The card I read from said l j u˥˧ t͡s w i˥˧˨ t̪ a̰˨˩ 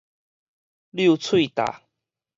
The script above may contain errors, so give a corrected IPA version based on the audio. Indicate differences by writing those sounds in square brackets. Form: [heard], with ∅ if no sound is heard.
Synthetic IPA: l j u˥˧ [t͡sʰ] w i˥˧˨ t̪ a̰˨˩